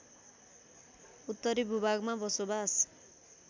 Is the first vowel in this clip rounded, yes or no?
yes